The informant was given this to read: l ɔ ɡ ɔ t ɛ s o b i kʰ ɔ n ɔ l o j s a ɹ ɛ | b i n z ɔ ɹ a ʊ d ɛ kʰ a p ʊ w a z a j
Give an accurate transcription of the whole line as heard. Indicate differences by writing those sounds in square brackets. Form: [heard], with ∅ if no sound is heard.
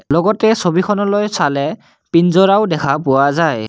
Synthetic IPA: l ɔ ɡ ɔ t ɛ s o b i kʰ ɔ n ɔ l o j s a [l] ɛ | [p] i n z ɔ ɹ a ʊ d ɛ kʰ a p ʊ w a z a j